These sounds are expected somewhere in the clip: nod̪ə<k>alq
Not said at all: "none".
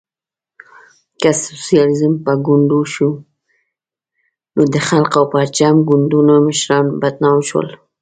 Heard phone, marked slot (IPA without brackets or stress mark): x